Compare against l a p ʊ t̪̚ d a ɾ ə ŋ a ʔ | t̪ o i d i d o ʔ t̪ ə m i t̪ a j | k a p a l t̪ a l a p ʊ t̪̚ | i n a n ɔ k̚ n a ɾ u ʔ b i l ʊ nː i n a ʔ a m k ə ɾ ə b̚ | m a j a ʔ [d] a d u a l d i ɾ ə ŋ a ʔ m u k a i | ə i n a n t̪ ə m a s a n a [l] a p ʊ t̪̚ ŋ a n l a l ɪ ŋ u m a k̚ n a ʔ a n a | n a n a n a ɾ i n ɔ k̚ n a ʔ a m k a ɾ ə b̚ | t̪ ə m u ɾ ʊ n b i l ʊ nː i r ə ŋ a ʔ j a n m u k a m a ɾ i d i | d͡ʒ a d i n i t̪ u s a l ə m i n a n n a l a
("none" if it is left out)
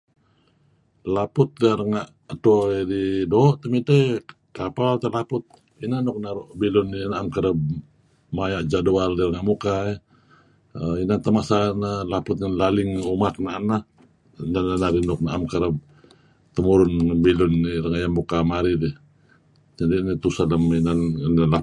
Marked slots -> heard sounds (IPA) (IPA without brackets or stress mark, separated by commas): d͡ʒ, l